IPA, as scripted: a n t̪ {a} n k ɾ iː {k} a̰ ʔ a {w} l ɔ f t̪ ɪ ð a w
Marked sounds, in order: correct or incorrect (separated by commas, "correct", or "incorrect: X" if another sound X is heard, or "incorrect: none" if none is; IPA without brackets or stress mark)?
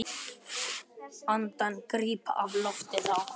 correct, incorrect: p, incorrect: v